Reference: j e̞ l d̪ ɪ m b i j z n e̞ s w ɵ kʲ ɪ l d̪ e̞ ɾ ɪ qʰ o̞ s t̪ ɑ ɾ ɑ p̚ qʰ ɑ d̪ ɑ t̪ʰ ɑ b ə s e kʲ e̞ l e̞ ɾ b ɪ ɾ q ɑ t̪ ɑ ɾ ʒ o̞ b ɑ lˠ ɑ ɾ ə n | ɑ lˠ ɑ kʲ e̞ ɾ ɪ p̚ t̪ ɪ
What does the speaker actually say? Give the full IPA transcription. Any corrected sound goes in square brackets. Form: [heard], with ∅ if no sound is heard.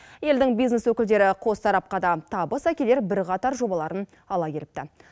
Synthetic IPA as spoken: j e̞ l d̪ ɪ [ŋ] b i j z n e̞ s w ɵ kʲ ɪ l d̪ e̞ ɾ ɪ qʰ o̞ s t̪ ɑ ɾ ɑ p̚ [q] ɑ d̪ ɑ t̪ʰ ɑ b ə s [æ] kʲ e̞ l e̞ ɾ b ɪ ɾ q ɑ t̪ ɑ ɾ ʒ o̞ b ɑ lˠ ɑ ɾ ə n | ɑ lˠ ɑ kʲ e̞ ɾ ɪ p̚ t̪ ɪ